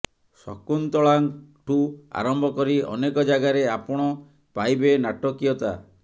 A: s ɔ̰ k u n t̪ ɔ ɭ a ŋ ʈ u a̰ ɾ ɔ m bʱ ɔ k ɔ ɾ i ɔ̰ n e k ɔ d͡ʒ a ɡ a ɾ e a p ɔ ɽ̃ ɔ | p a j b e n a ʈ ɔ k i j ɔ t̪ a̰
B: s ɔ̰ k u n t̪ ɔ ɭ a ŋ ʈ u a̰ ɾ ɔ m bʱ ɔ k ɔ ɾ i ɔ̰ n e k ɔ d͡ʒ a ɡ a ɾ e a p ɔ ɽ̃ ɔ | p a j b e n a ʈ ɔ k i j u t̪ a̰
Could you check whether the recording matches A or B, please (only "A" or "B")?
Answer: A